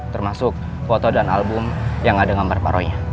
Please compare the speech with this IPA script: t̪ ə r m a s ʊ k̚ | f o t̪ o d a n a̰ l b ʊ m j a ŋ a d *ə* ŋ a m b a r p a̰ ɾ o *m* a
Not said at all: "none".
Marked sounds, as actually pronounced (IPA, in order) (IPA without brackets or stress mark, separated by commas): a, ɲ